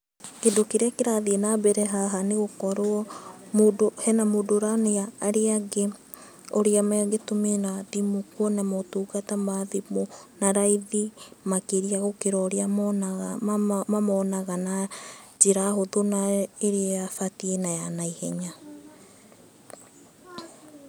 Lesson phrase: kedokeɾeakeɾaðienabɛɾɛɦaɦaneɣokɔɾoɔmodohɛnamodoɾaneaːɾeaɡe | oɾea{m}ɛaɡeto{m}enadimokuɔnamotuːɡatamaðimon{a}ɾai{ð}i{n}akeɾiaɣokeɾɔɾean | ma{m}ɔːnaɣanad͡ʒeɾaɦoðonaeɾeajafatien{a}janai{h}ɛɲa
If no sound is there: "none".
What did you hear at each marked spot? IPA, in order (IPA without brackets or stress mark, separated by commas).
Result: m, m, a, ð, m, m, a, h